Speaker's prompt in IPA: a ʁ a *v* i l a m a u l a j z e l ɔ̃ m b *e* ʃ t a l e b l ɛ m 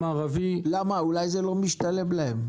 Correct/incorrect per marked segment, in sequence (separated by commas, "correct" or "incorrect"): correct, incorrect